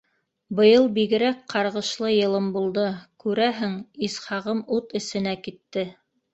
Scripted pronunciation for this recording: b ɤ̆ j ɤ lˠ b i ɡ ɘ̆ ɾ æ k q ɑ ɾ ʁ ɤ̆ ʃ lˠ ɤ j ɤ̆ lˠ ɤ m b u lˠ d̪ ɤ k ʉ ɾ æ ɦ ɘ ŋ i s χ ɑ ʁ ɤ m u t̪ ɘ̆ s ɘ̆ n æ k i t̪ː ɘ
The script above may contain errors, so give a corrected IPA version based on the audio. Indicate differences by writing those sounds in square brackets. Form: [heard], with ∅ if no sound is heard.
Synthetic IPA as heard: b ɤ̆ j ɤ lˠ b i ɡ ɘ̆ ɾ æ k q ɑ ɾ ʁ ɤ̆ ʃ lˠ ɤ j ɤ̆ lˠ ɤ m b u lˠ d̪ ɤ k ʉ ɾ æ ɦ ɘ ŋ i s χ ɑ ʁ ɤ m u t̪ ɘ̆ s ɘ̆ n æ k i t̪ː ɘ